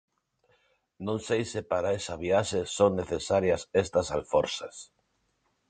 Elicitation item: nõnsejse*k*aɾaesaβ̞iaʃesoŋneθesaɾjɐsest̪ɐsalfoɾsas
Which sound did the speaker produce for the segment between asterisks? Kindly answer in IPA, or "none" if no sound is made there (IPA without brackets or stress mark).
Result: p